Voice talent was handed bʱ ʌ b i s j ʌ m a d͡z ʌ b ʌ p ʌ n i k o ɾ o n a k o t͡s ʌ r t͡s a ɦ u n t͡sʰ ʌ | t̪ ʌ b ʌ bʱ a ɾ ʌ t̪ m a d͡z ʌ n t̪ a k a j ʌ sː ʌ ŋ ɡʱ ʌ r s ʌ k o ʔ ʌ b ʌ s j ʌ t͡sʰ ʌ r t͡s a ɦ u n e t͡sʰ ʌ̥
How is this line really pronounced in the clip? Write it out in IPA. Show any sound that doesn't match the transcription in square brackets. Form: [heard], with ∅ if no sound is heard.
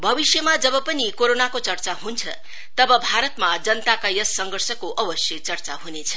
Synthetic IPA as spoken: bʱ ʌ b i s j ʌ m a d͡z ʌ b ʌ p ʌ n i k o ɾ o n a k o t͡s ʌ r t͡s a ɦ u n t͡sʰ ʌ | t̪ ʌ b ʌ bʱ a ɾ ʌ t̪ m a d͡z ʌ n t̪ a k a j ʌ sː ʌ ŋ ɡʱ ʌ r s ʌ k o ʔ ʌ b ʌ s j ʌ [t͡s] ʌ r t͡s a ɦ u n e t͡sʰ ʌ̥